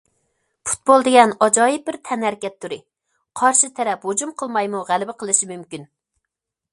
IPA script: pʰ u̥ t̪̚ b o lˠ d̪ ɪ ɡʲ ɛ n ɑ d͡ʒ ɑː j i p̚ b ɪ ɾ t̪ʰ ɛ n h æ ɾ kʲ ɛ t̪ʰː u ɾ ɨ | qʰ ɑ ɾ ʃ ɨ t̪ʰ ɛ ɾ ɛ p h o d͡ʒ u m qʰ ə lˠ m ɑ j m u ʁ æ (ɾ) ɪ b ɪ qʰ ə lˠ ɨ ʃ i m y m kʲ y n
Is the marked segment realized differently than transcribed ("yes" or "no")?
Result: yes